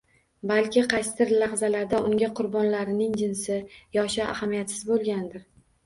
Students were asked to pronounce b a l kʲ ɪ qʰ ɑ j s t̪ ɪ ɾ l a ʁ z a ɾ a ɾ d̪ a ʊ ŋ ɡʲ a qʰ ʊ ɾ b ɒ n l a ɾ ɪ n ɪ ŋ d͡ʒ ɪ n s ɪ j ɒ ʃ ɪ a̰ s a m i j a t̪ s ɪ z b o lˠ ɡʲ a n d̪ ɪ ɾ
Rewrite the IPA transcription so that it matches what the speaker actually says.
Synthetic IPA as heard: b a l kʲ ɪ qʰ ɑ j s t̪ ɪ ɾ l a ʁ z a l a ɾ d̪ a ʊ ŋ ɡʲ a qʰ ʊ ɾ b ɒ n l a ɾ ɪ n ɪ ŋ d͡ʒ ɪ n s ɪ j ɒ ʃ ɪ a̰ h a m i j a t̪ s ɪ z b o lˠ ɡʲ a n d̪ ɪ ɾ